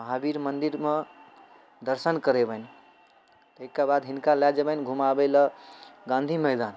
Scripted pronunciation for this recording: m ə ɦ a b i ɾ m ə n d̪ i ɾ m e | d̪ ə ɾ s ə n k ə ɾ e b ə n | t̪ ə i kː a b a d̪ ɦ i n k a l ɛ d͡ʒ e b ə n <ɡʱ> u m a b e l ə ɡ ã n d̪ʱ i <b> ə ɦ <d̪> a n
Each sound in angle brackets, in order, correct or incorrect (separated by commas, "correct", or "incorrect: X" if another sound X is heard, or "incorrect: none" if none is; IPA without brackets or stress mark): correct, incorrect: m, correct